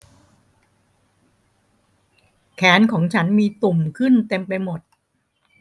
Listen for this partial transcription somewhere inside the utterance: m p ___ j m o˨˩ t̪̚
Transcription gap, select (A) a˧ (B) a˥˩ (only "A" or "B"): A